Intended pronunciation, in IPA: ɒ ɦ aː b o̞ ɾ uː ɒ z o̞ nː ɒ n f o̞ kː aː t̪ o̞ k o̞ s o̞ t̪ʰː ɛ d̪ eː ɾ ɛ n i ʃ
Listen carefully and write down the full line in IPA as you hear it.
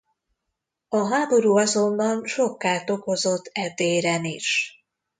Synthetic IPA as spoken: ɒ ɦ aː b o̞ ɾ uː ɒ z o̞ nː ɒ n ʃ o̞ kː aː t̪ o̞ k o̞ z o̞ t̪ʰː ɛ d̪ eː ɾ ɛ n i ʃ